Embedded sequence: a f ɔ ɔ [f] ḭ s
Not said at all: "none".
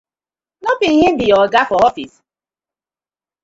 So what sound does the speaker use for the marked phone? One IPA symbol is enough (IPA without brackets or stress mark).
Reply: f